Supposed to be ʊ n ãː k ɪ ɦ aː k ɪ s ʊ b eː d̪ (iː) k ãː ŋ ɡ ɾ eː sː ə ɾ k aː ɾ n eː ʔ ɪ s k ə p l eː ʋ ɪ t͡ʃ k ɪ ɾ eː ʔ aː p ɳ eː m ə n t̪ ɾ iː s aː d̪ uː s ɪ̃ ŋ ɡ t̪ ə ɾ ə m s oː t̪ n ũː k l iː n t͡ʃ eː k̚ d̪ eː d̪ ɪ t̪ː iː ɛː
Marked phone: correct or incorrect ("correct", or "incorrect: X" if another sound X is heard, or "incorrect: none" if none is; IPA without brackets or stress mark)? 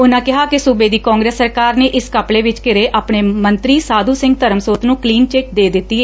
correct